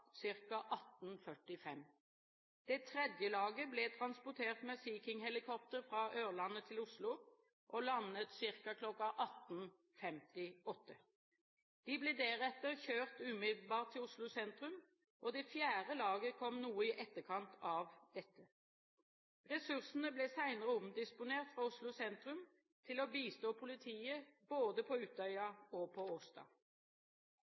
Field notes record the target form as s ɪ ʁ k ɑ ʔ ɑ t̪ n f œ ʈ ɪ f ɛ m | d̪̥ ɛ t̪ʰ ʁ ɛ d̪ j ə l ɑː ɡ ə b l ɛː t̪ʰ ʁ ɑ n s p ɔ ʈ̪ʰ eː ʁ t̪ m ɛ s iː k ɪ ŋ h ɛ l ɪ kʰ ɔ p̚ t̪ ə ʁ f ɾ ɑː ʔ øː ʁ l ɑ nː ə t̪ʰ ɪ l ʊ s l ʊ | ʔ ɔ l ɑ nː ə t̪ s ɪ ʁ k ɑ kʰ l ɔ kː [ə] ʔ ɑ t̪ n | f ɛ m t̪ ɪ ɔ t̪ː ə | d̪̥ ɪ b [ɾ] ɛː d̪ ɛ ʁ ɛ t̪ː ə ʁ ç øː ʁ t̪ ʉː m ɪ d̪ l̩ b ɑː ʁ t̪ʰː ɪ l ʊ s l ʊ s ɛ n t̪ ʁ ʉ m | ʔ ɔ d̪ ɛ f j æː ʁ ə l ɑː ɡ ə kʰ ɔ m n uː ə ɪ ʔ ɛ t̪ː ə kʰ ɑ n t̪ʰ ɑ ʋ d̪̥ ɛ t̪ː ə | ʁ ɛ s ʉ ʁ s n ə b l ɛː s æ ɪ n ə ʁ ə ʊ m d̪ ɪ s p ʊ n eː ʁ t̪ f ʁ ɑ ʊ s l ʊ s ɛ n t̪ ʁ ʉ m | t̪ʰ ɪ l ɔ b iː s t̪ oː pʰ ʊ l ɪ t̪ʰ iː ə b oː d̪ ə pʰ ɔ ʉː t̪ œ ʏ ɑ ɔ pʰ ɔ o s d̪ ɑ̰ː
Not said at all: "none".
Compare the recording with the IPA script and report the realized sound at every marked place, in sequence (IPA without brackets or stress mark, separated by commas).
ɑ, l